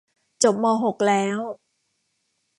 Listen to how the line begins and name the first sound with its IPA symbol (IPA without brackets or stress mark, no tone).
t͡ɕ